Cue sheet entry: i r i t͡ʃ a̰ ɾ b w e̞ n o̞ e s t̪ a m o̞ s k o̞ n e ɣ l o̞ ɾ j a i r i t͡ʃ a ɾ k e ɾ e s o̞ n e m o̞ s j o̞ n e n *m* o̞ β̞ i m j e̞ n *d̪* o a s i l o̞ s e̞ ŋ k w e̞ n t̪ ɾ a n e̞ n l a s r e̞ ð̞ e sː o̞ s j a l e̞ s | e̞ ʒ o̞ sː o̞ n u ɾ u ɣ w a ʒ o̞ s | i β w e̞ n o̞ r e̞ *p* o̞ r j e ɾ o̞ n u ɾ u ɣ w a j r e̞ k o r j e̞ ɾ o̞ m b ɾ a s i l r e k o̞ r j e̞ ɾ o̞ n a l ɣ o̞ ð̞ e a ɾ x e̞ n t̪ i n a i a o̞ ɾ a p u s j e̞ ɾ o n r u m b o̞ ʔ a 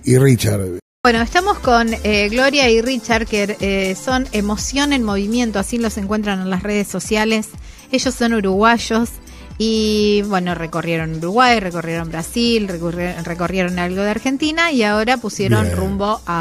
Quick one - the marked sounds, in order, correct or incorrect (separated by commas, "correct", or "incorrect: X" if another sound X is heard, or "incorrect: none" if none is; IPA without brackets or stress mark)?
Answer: correct, incorrect: t̪, incorrect: k